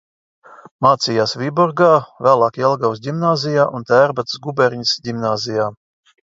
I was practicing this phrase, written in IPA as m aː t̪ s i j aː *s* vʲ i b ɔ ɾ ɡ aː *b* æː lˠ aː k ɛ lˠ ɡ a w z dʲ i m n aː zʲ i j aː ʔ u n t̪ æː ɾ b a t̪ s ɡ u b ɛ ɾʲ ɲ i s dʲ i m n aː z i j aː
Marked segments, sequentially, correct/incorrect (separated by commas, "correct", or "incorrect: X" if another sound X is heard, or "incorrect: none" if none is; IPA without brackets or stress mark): correct, incorrect: v